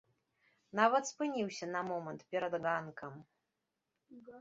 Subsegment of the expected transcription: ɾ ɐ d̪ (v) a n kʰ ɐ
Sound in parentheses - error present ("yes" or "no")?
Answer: yes